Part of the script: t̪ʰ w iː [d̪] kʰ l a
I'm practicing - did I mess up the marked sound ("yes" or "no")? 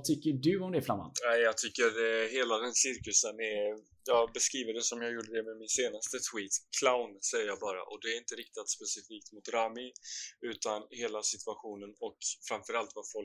yes